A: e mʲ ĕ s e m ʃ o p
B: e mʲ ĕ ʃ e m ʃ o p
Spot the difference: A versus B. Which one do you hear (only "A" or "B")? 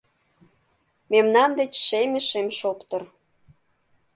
B